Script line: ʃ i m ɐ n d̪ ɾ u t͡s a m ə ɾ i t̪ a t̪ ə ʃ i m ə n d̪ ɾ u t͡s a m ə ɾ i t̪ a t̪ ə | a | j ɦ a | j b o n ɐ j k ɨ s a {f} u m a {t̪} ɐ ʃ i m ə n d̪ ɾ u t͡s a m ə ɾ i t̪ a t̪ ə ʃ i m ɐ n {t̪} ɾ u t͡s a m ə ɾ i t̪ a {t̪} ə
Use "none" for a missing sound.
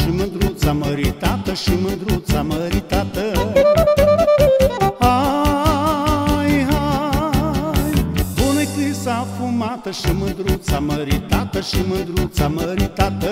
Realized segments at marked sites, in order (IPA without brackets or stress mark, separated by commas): f, t̪, d̪, t̪